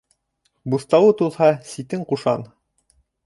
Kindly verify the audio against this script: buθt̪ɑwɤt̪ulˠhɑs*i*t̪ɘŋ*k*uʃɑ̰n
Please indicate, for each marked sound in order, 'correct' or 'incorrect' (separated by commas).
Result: correct, incorrect